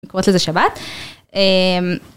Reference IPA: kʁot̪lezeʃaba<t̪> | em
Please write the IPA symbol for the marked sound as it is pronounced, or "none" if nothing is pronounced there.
t̪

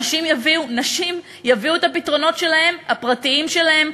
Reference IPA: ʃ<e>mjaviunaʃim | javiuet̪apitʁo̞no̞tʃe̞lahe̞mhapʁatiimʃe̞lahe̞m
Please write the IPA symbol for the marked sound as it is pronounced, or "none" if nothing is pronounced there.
i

